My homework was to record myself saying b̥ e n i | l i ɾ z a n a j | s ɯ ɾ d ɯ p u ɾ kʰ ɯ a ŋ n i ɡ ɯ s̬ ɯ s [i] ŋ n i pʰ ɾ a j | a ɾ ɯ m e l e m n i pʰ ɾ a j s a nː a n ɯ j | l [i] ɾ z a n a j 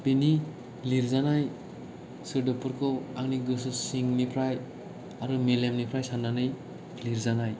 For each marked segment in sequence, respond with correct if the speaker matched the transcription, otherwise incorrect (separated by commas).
correct, correct